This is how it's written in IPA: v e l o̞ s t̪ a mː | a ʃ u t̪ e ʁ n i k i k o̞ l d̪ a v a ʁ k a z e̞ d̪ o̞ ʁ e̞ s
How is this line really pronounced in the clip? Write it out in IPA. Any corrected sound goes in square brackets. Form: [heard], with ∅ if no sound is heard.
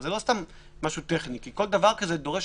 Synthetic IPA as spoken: [z] e l o̞ s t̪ a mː | a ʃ u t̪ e [χ] n i k i k o̞ l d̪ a v a ʁ k a z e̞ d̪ o̞ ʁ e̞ [ʃ]